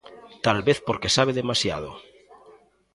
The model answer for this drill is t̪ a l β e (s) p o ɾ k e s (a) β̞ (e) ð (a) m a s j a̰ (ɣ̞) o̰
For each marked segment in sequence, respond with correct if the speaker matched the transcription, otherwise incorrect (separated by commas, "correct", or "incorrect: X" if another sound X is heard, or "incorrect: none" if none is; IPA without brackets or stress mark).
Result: incorrect: θ, correct, correct, incorrect: e, incorrect: ð̞